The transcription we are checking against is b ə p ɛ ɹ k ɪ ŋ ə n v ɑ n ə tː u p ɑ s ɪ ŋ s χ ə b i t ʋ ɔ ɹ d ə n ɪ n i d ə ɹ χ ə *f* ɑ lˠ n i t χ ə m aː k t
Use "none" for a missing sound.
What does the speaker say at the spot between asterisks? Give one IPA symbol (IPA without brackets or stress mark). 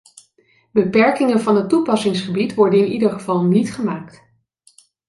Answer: v